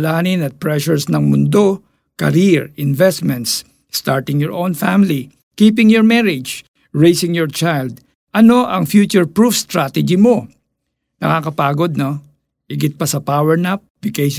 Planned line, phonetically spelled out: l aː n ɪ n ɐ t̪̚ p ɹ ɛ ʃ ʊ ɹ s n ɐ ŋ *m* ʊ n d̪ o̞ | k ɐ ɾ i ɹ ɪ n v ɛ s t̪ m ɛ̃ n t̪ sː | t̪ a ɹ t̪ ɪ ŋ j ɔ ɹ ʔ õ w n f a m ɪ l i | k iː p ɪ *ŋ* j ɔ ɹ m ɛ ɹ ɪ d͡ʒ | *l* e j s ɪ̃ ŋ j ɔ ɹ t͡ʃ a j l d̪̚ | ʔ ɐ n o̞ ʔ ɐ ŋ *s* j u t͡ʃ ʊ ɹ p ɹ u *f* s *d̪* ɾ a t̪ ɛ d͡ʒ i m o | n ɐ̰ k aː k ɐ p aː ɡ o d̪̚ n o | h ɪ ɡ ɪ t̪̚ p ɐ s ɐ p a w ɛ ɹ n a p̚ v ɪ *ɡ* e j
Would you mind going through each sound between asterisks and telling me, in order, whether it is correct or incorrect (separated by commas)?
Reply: correct, correct, incorrect, incorrect, correct, incorrect, incorrect